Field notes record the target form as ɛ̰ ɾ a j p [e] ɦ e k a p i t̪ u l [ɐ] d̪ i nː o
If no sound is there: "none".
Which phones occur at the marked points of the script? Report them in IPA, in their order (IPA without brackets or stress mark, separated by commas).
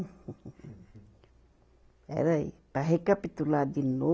a, a